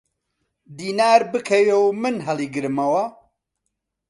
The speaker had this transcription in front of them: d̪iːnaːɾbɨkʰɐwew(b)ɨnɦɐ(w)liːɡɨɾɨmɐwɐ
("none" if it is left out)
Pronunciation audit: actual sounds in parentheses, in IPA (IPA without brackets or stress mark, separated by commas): m, none